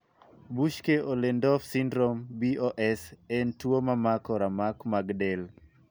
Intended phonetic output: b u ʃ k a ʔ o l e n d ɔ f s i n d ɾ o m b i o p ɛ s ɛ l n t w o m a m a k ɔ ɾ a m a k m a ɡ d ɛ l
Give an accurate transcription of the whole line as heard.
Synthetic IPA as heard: b u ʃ k e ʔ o l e n d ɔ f s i n d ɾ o m b i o ʔ ɛ s ɛ n t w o m a m a k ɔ ɾ a m a k m a ɡ d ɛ l